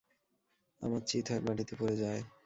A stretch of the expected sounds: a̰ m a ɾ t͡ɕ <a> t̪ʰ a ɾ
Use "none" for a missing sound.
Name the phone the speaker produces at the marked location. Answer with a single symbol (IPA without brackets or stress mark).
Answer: i